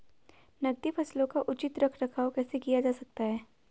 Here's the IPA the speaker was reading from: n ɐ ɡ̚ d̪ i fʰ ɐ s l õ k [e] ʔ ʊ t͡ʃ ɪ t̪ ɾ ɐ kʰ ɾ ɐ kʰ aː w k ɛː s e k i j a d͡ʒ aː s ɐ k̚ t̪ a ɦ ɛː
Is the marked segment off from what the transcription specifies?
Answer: yes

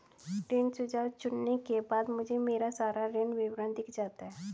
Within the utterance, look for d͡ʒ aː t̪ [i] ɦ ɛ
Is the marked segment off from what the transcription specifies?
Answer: yes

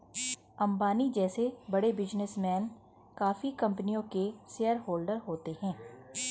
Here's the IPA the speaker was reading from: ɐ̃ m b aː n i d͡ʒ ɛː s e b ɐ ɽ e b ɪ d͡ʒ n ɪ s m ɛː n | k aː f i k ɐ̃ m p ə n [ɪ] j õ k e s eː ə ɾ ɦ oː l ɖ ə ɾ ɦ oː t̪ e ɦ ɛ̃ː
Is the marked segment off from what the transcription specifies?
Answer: yes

